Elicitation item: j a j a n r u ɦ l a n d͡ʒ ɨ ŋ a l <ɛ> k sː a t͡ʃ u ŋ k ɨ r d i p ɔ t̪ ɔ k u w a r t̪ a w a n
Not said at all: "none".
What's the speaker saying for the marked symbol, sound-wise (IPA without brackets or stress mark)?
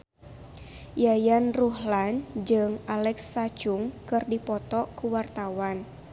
ɛ